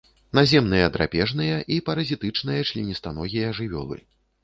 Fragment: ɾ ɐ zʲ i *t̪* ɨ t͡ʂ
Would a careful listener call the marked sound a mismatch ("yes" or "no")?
no